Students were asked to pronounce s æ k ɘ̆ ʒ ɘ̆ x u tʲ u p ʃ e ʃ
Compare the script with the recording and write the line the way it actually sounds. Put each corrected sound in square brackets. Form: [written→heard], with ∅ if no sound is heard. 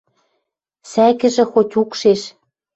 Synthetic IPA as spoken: s æ k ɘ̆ ʒ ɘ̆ x [u→o] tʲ u [p→k] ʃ e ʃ